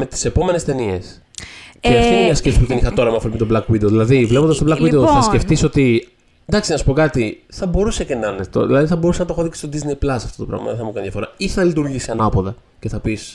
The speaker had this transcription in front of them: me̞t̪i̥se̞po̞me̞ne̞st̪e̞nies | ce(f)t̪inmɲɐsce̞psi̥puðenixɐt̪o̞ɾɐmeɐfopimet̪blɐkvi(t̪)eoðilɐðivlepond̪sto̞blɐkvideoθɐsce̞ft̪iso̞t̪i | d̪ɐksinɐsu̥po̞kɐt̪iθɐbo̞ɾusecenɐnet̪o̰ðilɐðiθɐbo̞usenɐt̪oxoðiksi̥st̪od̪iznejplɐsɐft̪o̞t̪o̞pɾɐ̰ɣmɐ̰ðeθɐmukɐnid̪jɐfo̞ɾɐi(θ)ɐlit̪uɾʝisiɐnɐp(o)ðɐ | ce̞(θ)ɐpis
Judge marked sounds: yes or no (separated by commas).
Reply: yes, no, yes, yes, yes